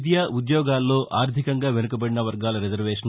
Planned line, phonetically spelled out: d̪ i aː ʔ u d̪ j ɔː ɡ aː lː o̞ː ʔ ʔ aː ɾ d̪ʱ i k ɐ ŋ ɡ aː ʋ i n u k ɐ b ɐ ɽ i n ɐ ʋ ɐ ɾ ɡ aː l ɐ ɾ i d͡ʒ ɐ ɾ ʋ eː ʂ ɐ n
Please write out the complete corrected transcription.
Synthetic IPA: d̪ j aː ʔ u d̪ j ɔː ɡ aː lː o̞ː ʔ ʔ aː ɾ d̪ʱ i k ɐ ŋ ɡ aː ʋ e n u k ɐ b ɐ ɽ i n ɐ ʋ ɐ ɾ ɡ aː l ɐ ɾ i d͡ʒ ɐ ɾ ʋ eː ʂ ɐ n